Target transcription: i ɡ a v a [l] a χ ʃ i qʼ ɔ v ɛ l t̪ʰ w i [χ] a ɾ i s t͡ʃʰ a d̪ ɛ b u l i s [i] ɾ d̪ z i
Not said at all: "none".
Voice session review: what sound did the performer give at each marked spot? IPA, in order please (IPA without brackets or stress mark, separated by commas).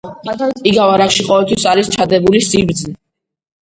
ɾ, s, i